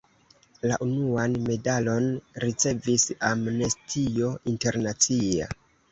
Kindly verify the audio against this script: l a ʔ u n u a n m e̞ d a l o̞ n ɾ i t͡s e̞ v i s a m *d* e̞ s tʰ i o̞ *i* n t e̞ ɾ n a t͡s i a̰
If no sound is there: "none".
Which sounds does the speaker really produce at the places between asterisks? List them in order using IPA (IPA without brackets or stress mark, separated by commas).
n, i